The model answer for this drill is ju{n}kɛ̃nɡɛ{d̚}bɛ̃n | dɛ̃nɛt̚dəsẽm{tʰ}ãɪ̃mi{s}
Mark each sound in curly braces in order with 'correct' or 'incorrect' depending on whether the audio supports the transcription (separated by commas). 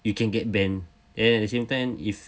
incorrect, incorrect, incorrect, incorrect